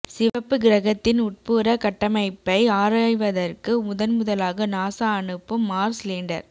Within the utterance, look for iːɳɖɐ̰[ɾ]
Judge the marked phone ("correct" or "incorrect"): correct